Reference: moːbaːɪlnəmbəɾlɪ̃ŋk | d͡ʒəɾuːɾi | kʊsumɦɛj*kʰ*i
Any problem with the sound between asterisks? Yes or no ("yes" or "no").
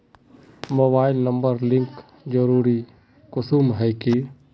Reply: yes